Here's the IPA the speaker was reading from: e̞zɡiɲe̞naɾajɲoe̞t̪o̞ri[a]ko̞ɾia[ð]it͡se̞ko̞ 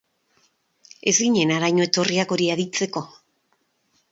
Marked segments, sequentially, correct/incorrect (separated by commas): correct, correct